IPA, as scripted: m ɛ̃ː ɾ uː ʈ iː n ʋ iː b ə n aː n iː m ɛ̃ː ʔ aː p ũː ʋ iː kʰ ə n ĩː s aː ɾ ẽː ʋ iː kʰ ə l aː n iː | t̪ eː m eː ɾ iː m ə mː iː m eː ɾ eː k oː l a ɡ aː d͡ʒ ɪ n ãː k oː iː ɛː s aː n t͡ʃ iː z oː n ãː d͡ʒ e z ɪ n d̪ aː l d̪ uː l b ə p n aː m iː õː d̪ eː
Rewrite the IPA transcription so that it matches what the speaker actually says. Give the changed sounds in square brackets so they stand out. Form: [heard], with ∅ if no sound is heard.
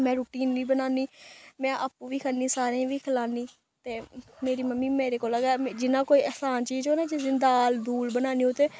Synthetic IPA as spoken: m ɛ̃ː ɾ uː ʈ iː n ʋ iː b ə n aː n iː m ɛ̃ː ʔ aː p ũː ʋ iː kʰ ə n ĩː s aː ɾ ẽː ʋ iː kʰ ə l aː n iː | t̪ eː m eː ɾ iː m ə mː iː m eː ɾ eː k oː l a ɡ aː d͡ʒ ɪ n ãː k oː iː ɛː s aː n t͡ʃ iː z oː n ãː d͡ʒ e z ɪ n d̪ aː l d̪ uː l b ə [∅] n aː [n] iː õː [t̪] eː